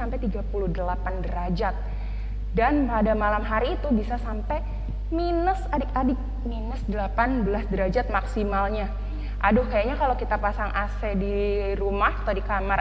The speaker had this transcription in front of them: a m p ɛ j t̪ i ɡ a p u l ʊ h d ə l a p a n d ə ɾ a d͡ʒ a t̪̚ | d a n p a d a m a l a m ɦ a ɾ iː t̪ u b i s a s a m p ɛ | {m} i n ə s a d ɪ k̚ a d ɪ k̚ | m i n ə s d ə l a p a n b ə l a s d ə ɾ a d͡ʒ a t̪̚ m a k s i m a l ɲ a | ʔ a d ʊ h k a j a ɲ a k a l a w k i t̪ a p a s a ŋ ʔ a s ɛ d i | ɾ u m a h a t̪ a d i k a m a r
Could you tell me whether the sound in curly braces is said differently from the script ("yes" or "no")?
no